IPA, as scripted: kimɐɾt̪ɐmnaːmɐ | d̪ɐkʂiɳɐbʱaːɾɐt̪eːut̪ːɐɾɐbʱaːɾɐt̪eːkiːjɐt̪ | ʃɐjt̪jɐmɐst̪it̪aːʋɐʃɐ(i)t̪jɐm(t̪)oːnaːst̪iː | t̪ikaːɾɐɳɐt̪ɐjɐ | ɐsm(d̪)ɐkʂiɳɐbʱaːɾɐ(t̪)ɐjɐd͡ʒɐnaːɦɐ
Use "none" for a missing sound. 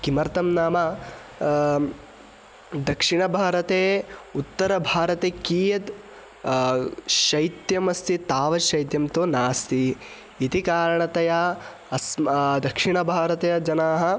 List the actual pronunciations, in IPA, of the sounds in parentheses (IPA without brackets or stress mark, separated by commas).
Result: j, t̪, d̪, t̪